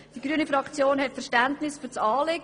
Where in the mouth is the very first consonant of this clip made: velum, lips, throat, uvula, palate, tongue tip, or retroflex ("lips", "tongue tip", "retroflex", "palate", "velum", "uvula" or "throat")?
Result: tongue tip